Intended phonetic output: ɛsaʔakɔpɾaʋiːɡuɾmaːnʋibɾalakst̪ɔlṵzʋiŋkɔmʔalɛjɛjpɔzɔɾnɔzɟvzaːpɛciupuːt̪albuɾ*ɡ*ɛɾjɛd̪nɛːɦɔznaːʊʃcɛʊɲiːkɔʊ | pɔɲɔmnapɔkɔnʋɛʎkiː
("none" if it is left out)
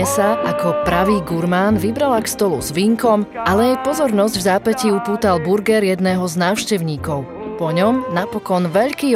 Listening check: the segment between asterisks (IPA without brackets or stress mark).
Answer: ɡ